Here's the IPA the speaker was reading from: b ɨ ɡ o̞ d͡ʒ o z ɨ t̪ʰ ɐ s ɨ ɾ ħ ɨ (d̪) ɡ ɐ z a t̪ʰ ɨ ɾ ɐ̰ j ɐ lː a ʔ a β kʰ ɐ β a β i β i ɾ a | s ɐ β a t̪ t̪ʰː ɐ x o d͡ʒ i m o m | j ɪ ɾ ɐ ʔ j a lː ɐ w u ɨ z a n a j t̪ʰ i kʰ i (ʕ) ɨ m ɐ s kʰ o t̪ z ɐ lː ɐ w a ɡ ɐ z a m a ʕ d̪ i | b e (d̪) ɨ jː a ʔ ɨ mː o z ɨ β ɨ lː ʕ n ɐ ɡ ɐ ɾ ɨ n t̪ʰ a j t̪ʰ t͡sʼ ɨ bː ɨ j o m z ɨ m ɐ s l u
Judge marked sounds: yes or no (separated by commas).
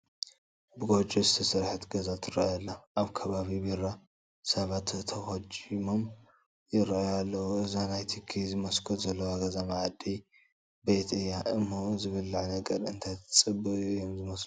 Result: no, no, no